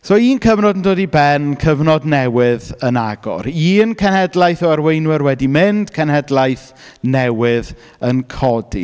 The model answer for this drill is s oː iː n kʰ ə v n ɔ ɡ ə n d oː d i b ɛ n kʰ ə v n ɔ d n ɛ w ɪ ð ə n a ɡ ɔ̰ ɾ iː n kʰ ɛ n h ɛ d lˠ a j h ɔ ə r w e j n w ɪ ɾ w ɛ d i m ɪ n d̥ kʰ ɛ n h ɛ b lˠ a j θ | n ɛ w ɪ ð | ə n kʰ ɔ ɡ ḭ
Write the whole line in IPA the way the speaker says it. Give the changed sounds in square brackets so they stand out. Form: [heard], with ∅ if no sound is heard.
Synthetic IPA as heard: s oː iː n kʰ ə v n ɔ [d] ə n d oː d i b ɛ n kʰ ə v n ɔ d n ɛ w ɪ ð ə n a ɡ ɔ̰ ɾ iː n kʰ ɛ n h ɛ d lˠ a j [θ] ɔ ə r w e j n w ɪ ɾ w ɛ d i m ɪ n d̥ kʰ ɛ n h ɛ [d] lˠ a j θ | n ɛ w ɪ ð | ə n kʰ ɔ [d] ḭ